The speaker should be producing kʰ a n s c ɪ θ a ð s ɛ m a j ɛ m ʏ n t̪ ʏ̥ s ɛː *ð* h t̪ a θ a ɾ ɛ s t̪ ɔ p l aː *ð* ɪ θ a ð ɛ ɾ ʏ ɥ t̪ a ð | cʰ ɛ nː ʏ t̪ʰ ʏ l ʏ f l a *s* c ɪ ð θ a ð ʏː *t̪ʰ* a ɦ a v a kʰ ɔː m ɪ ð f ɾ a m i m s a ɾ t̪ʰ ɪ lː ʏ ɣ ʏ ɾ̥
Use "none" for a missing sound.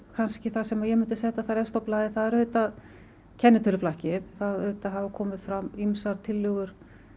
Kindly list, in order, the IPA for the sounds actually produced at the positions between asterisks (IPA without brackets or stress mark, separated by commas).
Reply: none, ð, h, t̪